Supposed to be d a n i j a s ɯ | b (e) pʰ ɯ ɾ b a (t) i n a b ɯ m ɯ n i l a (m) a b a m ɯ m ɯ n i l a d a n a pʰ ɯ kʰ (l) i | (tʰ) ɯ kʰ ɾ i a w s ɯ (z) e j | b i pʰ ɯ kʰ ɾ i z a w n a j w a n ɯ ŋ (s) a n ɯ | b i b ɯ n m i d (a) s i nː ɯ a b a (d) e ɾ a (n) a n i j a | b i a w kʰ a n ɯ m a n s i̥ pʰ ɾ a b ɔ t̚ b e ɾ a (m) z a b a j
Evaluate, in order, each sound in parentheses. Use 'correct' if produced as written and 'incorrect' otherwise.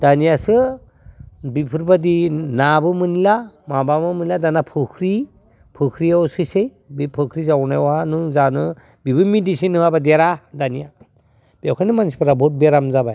incorrect: i, incorrect: d, correct, incorrect: ɾ, incorrect: pʰ, incorrect: s, incorrect: z, incorrect: i, correct, incorrect: d, correct

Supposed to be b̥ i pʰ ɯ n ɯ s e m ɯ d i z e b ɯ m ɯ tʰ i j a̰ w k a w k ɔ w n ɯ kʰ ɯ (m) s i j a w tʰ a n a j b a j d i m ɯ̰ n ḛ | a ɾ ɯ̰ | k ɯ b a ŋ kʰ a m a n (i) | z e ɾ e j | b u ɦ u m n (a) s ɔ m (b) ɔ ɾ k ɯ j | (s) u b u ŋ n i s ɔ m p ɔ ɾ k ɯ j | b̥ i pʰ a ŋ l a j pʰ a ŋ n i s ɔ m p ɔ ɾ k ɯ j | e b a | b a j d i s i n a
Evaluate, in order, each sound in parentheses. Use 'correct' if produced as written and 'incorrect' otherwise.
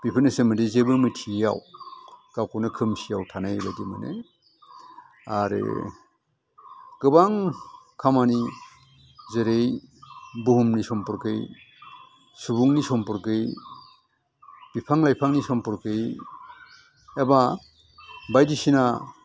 correct, correct, incorrect: i, incorrect: p, correct

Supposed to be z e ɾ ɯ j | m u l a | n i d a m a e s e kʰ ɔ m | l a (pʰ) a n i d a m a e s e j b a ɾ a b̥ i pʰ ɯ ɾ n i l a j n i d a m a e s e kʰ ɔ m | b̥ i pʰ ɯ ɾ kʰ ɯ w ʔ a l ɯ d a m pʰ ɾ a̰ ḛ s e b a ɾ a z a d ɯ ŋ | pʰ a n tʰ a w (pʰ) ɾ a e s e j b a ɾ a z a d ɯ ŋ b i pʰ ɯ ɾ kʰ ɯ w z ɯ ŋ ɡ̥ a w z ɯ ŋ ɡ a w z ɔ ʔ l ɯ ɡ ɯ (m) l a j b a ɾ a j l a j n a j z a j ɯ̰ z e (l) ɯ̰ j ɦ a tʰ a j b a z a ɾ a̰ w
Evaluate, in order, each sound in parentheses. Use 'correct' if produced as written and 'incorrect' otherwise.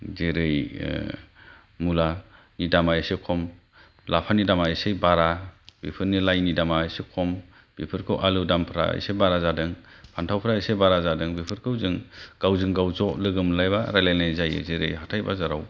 correct, correct, correct, incorrect: ɾ

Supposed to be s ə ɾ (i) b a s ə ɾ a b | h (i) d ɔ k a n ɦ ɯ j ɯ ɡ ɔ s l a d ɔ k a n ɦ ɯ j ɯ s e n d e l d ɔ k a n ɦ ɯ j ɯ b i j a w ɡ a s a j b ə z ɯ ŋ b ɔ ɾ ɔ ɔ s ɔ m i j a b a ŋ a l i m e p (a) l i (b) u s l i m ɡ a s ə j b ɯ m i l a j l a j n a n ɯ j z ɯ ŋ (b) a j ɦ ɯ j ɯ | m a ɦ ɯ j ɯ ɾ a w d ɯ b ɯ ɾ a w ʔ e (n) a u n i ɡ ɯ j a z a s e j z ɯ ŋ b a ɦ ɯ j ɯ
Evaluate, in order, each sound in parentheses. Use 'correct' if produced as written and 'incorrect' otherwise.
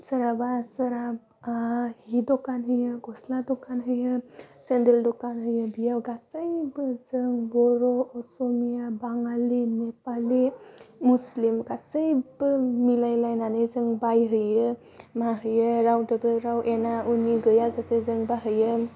incorrect: a, correct, correct, incorrect: m, correct, correct

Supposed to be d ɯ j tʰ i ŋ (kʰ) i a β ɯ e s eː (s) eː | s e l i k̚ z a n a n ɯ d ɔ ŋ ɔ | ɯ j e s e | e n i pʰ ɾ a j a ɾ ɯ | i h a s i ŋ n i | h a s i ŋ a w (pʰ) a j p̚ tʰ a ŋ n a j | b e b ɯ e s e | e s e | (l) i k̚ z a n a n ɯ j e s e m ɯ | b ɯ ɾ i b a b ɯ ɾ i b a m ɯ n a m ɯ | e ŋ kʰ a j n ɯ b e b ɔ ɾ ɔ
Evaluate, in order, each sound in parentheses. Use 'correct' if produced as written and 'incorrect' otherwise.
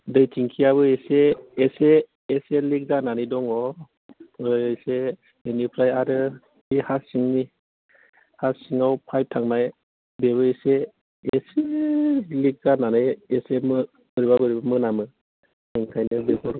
correct, correct, correct, correct

